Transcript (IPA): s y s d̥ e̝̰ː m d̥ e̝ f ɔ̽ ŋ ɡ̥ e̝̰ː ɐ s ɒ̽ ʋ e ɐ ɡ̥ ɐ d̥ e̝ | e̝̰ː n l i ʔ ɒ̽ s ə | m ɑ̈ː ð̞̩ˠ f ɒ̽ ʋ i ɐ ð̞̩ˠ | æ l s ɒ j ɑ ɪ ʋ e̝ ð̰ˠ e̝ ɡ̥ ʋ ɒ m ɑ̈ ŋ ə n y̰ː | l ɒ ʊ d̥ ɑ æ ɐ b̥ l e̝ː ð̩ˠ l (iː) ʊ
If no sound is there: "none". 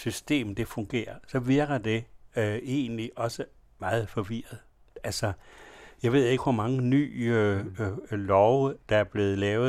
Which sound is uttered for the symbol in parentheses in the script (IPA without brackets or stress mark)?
ɛː